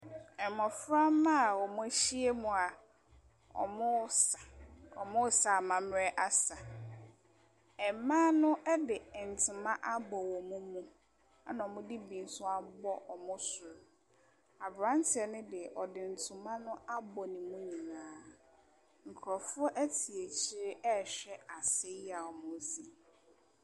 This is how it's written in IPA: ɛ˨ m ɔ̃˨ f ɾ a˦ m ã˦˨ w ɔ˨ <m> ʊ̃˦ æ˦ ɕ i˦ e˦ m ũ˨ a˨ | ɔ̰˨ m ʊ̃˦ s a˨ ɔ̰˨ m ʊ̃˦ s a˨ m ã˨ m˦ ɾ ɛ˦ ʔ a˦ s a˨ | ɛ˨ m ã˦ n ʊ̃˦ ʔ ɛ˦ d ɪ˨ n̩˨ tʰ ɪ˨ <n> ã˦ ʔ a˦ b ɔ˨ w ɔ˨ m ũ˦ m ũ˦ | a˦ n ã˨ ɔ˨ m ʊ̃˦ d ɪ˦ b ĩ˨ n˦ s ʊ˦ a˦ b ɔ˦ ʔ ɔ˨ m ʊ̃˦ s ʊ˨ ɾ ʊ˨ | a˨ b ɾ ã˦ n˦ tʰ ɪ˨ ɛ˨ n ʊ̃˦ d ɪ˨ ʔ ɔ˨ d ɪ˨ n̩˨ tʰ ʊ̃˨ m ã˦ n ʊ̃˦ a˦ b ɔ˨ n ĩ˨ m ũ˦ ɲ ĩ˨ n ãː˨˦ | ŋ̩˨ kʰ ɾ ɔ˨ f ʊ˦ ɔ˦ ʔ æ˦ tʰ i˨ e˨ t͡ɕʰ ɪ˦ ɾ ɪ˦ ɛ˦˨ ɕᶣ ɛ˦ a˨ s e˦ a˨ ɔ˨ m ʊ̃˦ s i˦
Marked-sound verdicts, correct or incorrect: correct, incorrect: m

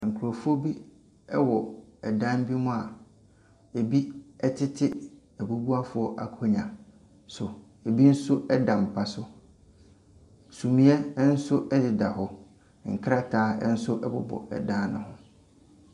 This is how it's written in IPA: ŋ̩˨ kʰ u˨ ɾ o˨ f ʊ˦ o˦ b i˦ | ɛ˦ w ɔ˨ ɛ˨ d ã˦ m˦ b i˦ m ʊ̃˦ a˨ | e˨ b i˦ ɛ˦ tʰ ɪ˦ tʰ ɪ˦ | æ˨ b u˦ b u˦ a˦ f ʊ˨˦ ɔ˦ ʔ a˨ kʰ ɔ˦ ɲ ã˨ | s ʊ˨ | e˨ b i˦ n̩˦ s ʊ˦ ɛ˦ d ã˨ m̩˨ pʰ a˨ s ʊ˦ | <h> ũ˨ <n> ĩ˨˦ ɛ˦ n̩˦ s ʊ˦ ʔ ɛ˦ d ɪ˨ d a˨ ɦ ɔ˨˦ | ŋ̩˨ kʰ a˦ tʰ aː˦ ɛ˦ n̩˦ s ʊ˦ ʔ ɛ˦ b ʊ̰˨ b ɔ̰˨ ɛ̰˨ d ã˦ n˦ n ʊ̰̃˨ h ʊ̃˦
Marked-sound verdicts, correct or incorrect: incorrect: s, incorrect: m

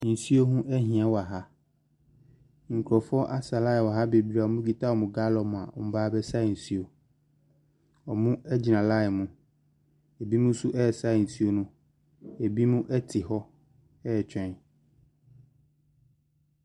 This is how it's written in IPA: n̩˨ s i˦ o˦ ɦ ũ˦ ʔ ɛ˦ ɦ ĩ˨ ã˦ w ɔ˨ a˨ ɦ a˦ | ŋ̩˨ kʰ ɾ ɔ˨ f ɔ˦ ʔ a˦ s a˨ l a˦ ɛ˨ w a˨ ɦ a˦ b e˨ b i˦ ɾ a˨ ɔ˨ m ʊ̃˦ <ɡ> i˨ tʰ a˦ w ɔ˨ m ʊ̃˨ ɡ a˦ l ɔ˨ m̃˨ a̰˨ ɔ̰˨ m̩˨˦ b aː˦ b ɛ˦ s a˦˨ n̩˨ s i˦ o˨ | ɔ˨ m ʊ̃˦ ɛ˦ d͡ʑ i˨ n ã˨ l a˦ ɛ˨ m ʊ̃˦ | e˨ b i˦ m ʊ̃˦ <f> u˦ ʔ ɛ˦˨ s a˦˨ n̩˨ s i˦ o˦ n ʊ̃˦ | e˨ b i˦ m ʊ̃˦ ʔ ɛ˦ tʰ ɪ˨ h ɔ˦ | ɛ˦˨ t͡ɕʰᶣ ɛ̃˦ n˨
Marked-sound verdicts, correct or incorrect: correct, incorrect: s

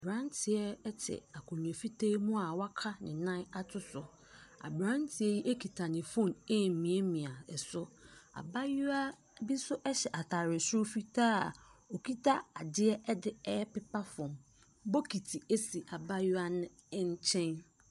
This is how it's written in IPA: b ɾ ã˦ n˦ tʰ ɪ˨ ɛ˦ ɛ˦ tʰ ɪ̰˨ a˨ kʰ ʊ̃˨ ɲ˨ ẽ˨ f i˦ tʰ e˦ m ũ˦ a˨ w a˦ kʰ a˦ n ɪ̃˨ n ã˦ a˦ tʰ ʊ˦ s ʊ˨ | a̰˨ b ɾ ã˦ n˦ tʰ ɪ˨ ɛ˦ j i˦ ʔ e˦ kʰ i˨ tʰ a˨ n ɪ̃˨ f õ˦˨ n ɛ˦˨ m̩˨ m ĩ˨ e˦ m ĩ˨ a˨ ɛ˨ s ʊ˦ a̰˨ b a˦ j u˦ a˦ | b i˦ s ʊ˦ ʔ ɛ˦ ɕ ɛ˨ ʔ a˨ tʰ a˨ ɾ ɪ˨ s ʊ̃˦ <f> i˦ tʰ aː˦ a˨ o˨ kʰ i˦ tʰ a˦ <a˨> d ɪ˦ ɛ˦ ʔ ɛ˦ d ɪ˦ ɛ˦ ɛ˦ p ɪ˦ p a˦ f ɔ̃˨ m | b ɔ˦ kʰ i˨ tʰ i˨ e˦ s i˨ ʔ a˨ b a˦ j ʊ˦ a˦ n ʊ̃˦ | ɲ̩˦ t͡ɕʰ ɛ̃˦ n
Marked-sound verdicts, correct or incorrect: correct, correct

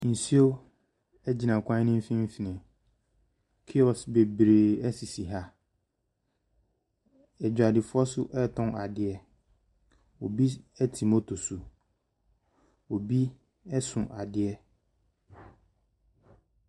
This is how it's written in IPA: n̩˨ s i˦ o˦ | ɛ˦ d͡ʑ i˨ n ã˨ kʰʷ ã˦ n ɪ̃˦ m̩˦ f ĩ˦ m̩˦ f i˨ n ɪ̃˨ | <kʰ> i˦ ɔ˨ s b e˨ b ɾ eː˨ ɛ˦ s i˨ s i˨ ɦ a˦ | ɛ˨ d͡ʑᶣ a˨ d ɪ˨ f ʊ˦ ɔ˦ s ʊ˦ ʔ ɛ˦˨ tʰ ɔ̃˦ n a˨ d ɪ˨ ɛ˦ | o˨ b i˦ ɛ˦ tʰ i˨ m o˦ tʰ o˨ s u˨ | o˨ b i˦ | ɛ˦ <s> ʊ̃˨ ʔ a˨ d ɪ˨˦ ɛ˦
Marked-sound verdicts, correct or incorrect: correct, correct

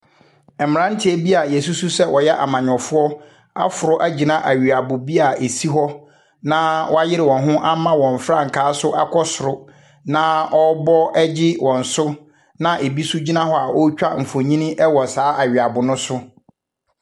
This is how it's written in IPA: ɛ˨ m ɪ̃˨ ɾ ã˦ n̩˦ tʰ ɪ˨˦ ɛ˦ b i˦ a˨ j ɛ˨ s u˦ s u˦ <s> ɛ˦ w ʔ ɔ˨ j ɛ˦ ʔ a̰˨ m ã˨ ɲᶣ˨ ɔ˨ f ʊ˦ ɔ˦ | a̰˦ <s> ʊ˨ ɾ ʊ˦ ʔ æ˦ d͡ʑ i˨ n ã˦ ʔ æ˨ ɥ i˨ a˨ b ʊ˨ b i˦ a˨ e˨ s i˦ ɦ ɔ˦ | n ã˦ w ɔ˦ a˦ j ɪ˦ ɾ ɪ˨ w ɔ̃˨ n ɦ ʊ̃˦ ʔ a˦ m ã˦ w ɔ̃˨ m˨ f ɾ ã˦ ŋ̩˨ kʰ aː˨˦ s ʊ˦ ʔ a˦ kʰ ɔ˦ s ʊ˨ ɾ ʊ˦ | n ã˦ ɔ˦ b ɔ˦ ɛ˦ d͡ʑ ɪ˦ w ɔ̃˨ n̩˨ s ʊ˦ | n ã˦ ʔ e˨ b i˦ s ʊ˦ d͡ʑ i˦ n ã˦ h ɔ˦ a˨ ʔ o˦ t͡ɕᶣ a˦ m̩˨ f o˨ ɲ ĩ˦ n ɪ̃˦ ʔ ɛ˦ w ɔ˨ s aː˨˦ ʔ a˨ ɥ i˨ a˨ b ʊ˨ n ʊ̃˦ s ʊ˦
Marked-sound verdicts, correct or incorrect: correct, incorrect: f

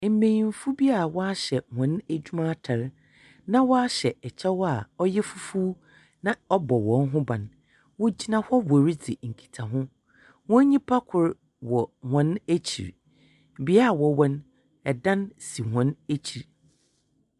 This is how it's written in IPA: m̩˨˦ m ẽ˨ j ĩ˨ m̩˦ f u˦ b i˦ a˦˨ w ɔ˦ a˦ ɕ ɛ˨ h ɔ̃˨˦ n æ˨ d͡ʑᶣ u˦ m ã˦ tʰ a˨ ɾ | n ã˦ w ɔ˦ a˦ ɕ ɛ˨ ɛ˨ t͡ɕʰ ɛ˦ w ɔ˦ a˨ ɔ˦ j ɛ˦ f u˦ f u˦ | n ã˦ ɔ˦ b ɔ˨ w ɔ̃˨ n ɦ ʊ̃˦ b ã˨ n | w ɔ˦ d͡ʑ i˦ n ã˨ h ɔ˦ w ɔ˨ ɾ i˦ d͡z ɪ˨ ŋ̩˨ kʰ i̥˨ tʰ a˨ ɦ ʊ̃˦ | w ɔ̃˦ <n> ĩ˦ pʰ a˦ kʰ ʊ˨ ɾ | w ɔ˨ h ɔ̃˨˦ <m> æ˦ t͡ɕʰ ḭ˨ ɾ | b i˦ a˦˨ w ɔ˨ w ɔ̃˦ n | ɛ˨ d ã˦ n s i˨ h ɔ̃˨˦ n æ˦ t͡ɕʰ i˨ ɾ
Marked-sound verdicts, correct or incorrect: incorrect: ɲ, incorrect: n

